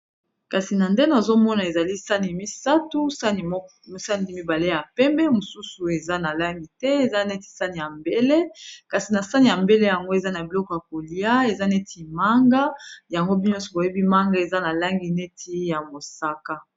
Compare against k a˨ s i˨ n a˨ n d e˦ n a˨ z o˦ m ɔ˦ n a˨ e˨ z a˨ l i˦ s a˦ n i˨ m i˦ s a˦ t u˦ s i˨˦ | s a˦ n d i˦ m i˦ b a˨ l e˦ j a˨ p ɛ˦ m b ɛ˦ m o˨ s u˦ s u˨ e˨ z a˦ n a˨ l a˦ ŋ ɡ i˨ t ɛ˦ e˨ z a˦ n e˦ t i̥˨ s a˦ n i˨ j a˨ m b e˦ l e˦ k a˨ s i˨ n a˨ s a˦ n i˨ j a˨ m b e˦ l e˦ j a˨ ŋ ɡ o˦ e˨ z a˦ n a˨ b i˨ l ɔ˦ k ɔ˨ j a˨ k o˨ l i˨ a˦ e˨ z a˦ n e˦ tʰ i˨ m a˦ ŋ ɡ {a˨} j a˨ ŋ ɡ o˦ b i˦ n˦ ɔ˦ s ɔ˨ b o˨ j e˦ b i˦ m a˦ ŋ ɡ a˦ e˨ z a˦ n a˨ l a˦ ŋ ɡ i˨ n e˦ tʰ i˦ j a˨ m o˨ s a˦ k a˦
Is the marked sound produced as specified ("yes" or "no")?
no